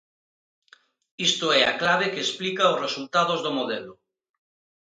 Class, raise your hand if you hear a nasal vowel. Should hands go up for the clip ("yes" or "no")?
no